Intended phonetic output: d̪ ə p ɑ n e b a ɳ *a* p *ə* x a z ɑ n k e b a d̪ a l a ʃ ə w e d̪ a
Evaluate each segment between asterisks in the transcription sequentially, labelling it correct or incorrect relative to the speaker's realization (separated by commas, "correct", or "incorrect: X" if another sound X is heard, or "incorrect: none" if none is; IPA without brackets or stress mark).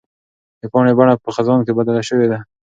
correct, correct